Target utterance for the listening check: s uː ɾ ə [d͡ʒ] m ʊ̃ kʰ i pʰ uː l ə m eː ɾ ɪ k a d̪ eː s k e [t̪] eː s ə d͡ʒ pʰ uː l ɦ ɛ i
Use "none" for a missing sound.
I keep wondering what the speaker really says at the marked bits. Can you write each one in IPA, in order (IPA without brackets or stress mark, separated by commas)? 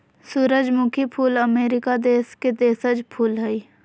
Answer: d͡ʒ, d̪